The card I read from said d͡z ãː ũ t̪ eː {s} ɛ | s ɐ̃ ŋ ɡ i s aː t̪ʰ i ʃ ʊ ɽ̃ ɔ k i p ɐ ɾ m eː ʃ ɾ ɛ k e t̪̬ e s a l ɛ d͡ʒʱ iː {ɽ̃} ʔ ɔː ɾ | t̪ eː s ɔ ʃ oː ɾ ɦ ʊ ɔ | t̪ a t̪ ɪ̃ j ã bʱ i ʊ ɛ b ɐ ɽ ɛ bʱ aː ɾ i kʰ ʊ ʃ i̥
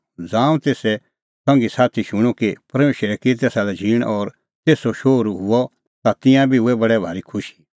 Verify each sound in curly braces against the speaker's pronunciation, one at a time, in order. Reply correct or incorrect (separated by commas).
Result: correct, correct